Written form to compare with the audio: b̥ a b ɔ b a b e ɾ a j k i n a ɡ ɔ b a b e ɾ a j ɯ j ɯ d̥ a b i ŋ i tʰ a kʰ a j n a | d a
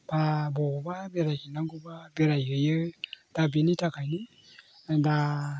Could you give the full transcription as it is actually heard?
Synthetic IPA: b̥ a b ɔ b a b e ɾ a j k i n a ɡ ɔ b a b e ɾ a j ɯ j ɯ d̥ a b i n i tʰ a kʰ a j n i | d a